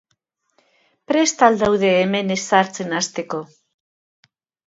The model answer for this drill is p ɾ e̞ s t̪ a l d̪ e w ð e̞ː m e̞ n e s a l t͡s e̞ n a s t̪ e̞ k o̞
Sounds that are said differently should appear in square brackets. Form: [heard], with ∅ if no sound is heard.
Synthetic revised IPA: p ɾ e̞ s t̪ a l d̪ [a] w ð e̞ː m e̞ n e s a [ɾ] t͡s e̞ n a s t̪ e̞ k o̞